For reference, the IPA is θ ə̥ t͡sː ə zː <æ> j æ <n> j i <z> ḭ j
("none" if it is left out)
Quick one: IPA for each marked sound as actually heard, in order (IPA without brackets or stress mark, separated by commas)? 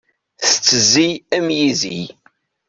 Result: i, m, z